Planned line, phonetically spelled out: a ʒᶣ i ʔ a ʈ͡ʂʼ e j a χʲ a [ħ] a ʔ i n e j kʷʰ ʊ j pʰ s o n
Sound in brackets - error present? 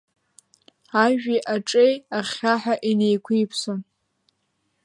no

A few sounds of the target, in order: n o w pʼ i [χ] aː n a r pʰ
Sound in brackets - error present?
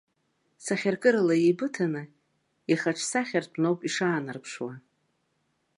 yes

